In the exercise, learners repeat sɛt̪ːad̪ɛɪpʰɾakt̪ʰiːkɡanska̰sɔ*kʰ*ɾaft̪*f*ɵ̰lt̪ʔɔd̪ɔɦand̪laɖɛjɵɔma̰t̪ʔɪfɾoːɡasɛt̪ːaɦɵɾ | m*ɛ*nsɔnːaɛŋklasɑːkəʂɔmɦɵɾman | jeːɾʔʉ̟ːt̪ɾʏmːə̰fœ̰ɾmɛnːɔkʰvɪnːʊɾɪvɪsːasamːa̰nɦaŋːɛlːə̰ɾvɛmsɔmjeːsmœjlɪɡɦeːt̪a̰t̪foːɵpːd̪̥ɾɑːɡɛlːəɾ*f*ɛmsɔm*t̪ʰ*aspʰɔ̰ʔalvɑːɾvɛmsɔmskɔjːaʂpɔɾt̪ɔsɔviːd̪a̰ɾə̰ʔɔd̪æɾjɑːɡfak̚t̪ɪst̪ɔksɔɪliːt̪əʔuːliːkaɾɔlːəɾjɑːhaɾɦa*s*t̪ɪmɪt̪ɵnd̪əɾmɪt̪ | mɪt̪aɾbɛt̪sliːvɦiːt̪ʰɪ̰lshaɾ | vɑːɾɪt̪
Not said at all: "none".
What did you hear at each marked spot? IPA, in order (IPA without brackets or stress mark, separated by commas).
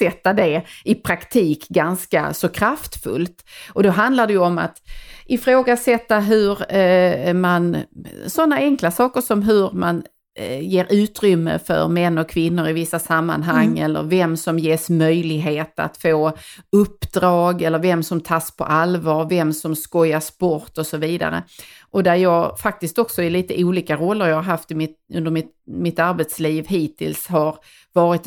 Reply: kʰ, f, a, v, t̪ʰ, f